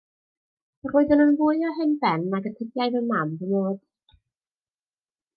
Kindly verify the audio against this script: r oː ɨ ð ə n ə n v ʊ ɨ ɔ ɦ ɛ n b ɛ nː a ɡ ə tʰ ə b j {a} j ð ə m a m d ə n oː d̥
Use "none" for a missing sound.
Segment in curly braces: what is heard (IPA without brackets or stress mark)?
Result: a